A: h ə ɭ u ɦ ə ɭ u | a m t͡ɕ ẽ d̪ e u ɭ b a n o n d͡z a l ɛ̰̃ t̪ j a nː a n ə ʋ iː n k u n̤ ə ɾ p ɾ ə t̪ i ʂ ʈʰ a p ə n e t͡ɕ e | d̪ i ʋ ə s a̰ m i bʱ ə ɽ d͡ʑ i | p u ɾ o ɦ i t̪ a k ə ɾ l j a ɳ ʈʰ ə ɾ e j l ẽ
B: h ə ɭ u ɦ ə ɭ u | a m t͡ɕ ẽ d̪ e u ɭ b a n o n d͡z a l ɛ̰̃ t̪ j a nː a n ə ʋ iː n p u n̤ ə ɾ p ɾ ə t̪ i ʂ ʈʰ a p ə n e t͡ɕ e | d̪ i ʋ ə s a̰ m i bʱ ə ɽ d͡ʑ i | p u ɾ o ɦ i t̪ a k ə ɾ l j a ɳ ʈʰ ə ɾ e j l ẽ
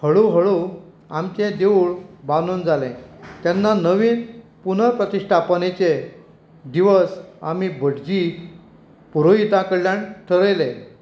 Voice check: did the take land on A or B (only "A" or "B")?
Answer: B